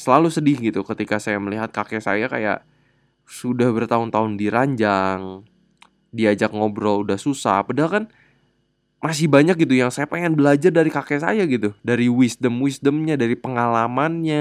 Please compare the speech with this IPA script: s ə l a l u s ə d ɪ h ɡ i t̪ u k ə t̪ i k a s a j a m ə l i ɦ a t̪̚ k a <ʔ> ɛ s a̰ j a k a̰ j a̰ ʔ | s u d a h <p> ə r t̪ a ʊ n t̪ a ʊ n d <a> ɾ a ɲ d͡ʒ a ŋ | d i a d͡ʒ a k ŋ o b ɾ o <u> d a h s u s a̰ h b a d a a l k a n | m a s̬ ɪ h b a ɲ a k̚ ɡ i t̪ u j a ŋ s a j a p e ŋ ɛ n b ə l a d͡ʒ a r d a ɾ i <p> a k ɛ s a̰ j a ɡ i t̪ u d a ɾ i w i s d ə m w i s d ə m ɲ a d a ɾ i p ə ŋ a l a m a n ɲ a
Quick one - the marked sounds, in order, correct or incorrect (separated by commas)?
incorrect, incorrect, incorrect, correct, incorrect